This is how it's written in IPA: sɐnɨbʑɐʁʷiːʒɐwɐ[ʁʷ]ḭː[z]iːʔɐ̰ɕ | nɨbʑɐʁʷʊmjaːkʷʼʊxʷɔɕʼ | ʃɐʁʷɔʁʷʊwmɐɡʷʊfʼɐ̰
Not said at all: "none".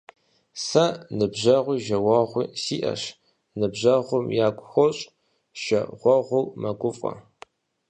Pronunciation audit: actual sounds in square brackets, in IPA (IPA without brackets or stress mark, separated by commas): ʁʷ, s